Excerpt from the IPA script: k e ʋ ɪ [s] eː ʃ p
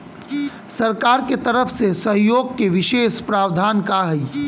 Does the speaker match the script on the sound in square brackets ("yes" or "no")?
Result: no